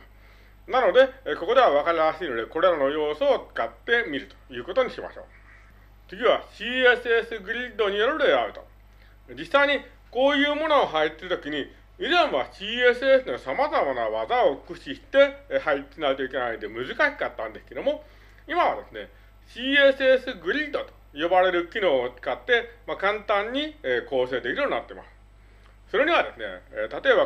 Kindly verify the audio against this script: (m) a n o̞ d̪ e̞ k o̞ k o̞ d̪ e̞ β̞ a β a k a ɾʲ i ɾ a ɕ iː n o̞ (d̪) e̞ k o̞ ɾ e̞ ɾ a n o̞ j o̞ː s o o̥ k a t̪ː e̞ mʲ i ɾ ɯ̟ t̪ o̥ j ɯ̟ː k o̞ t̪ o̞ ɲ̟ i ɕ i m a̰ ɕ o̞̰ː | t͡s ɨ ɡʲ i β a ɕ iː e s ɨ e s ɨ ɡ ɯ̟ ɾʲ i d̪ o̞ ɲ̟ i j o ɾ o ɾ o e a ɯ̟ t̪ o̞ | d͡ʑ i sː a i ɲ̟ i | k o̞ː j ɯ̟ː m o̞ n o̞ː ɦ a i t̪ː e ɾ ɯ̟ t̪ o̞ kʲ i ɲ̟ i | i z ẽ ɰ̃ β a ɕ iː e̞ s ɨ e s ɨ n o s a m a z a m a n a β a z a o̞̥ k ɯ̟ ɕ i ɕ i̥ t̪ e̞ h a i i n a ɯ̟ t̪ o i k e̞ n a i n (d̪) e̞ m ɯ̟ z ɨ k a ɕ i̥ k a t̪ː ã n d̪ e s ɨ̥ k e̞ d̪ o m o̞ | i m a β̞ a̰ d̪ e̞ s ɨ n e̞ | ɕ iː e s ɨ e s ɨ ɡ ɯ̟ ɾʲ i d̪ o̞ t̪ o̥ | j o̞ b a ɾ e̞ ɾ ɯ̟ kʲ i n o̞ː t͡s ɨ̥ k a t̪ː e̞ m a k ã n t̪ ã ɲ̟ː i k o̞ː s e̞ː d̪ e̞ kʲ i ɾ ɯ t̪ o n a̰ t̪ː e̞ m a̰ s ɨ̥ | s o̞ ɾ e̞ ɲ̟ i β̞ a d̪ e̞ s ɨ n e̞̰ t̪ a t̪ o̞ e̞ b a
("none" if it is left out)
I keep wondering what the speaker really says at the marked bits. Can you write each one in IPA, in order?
n, d̪, d̪

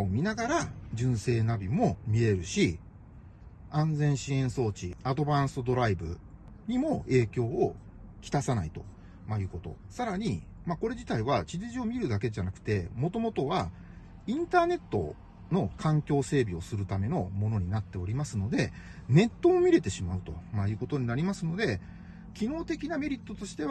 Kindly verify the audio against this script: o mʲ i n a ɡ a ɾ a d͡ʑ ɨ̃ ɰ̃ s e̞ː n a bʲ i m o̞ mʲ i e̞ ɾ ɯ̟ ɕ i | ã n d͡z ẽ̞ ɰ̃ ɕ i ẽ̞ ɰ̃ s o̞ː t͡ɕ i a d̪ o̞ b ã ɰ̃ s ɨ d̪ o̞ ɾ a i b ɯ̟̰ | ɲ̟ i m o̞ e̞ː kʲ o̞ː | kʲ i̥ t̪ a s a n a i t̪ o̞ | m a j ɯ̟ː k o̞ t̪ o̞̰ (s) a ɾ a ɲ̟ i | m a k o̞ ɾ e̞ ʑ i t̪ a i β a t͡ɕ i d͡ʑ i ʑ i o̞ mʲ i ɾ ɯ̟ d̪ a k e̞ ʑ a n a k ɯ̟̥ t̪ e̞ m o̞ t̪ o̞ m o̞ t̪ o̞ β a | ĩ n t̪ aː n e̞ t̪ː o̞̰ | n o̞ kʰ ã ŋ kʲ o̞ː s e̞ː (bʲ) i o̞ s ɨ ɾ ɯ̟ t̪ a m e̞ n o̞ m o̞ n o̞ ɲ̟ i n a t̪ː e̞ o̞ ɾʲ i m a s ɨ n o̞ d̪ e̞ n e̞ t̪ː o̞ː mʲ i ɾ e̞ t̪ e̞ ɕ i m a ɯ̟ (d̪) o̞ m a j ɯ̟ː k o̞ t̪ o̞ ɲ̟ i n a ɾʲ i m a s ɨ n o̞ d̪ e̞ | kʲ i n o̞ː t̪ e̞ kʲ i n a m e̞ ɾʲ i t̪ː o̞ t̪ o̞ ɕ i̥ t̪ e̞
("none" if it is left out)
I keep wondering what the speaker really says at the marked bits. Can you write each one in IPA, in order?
s, bʲ, t̪

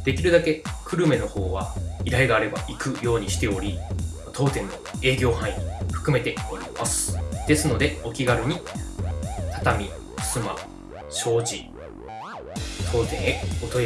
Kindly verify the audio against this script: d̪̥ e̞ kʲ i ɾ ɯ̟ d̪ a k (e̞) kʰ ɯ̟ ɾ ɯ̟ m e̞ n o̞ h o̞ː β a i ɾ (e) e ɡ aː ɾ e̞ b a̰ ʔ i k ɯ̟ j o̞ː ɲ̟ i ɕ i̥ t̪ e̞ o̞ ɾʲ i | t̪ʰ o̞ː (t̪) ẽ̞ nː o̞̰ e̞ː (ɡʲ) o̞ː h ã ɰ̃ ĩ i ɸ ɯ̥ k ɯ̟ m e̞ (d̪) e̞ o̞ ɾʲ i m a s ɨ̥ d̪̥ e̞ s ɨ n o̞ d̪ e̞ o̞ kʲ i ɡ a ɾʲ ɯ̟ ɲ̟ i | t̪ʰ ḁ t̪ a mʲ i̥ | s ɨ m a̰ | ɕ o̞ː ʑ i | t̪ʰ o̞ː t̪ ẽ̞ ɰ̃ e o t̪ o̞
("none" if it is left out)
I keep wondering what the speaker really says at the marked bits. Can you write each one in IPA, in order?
e̞, a, t̪, ɡʲ, t̪

